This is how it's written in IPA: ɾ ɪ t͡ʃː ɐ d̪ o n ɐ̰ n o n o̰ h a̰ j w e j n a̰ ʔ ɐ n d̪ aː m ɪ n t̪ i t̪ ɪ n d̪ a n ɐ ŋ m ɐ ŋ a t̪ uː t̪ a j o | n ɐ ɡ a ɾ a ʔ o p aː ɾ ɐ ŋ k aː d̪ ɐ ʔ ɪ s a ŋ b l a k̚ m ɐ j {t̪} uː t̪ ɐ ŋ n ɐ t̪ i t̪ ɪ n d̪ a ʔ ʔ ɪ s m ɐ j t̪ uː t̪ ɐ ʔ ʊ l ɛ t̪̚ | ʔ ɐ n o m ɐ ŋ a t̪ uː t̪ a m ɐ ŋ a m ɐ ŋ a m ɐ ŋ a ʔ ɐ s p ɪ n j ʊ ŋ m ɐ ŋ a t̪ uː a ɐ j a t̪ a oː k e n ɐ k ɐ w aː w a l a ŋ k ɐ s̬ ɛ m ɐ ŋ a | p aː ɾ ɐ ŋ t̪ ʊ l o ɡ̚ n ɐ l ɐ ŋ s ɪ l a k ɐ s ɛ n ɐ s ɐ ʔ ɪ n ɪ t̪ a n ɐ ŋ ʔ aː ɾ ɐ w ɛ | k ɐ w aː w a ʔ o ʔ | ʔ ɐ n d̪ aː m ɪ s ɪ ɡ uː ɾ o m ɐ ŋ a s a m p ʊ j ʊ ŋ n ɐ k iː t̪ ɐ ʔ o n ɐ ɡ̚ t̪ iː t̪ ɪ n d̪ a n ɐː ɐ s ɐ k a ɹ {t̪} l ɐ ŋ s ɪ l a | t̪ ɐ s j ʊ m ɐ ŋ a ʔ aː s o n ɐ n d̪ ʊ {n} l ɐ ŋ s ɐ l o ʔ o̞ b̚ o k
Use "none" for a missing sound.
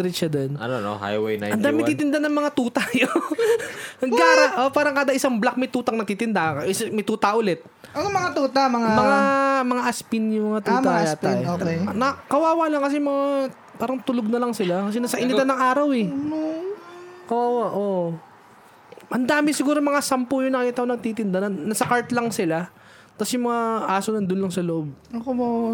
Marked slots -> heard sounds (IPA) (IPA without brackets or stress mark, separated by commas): t̪, t̪, n